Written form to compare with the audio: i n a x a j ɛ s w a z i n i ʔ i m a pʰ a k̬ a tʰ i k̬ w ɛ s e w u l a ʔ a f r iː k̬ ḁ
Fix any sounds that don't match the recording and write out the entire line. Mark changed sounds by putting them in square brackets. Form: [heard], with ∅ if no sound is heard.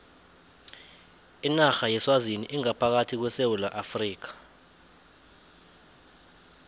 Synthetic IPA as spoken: i n a x a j ɛ s w a z i n i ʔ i [ŋ] a pʰ a k̬ a tʰ i k̬ w ɛ s e w u l a ʔ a f r iː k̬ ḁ